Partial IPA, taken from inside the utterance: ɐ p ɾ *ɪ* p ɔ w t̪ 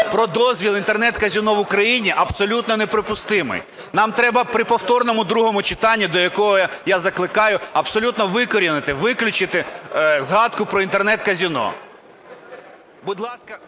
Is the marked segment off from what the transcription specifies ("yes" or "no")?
no